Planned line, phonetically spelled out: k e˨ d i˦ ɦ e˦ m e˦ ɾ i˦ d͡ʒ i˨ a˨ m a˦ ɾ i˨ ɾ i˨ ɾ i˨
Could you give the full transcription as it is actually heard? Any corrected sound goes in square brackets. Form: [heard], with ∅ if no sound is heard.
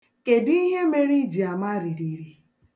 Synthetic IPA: k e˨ d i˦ ɦ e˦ m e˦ ɾ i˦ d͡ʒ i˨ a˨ m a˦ ɾ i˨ ɾ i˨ ɾ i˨

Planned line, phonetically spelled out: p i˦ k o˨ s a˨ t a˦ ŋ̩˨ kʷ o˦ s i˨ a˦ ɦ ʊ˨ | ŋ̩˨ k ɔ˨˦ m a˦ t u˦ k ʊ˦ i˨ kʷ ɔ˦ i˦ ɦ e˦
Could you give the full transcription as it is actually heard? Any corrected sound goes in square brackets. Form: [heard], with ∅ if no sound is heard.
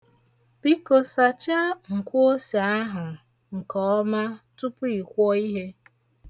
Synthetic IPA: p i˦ k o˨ s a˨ [t͡ʃ] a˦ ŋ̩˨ kʷ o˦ s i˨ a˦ ɦ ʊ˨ | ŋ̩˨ k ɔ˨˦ m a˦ t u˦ [p] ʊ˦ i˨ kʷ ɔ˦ i˦ ɦ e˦

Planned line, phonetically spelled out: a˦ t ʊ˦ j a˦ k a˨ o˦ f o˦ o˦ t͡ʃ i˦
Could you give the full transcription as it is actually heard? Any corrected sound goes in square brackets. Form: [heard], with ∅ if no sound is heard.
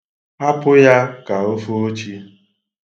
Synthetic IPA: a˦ [p] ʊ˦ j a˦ k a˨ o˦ f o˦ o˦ t͡ʃ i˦

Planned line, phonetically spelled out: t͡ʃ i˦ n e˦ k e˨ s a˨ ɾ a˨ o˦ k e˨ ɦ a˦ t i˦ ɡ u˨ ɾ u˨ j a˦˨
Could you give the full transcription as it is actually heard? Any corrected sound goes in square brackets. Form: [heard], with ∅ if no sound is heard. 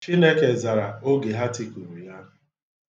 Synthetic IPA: t͡ʃ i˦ n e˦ k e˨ [z] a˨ ɾ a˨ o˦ [ɡ] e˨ ɦ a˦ t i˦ [k] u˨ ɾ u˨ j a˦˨

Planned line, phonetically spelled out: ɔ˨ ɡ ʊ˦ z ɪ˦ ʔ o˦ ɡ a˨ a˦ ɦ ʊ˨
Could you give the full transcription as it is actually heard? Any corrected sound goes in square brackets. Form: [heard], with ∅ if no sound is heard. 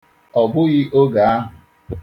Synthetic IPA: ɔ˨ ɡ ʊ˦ [ɣ] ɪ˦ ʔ o˦ ɡ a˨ a˦ ɦ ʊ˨

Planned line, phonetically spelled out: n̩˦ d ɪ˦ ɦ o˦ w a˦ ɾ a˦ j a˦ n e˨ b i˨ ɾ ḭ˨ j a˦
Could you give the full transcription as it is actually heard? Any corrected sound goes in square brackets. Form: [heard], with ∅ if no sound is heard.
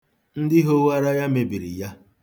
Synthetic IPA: n̩˦ d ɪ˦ ɦ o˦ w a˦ ɾ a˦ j a˦ [m] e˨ b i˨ ɾ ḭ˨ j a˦

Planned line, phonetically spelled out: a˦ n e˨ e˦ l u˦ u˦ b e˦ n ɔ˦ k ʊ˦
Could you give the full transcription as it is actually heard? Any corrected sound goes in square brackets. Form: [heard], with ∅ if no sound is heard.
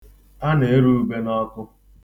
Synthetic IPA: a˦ n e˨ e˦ [ɾ] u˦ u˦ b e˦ n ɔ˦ k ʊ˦

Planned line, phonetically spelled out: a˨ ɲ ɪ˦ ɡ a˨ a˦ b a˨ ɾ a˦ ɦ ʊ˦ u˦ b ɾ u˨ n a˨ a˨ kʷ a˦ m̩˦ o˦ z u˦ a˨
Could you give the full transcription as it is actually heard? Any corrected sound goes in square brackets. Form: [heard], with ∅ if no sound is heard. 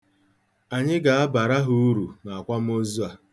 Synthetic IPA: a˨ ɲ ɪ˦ ɡ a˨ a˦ b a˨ ɾ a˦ ɦ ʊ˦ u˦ [∅] ɾ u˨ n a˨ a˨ kʷ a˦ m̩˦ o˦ z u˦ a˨

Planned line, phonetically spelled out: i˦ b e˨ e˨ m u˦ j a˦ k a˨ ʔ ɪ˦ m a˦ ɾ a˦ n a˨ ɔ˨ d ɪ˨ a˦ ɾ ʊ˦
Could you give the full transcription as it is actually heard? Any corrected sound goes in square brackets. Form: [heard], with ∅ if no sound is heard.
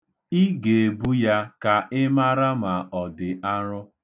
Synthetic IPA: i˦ [ɡ] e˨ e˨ [b] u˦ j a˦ k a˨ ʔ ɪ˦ m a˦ ɾ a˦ [m] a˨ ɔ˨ d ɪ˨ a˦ ɾ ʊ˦

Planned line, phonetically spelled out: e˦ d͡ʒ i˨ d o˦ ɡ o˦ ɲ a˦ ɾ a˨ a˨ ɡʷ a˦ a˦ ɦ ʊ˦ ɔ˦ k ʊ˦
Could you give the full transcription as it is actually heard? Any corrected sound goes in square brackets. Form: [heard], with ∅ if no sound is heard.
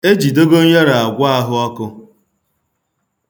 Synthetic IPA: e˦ d͡ʒ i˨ d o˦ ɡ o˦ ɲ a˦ ɾ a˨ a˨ ɡʷ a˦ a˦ ɦ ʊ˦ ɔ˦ k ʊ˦

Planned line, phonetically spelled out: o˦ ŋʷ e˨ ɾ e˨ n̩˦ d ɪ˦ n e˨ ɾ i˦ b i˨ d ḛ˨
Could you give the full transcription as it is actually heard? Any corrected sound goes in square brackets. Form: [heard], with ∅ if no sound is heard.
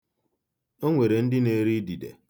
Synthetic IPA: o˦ ŋʷ e˨ ɾ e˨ n̩˦ d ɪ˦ n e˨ ɾ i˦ [d] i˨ d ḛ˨

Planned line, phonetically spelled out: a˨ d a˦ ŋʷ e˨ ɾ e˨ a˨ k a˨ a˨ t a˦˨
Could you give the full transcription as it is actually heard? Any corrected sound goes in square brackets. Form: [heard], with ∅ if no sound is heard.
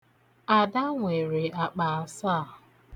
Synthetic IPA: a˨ d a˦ ŋʷ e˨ ɾ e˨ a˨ [k͡p] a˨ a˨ [s] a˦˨

